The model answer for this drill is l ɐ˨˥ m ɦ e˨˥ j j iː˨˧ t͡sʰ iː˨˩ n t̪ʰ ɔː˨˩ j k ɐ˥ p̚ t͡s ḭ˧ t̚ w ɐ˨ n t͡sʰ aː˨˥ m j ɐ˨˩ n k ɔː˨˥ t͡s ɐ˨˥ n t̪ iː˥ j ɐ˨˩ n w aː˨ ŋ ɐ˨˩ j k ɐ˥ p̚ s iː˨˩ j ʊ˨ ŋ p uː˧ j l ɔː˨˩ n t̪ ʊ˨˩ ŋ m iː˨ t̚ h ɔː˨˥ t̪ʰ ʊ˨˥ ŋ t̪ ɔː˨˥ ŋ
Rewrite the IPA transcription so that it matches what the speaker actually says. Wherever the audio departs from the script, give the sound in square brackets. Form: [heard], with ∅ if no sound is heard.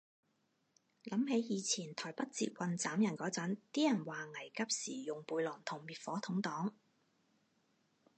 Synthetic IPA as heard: l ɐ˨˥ m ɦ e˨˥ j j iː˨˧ t͡sʰ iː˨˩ n t̪ʰ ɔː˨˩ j [p] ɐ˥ [t̚] t͡s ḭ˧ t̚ w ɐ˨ n [t͡s] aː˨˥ m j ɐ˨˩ n k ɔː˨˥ t͡s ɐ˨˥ n t̪ iː˥ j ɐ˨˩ n w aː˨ ŋ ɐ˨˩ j k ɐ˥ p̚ s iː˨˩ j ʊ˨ ŋ p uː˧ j l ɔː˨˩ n [t̪ʰ] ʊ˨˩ ŋ m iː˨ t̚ [f] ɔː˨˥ t̪ʰ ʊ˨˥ ŋ t̪ ɔː˨˥ ŋ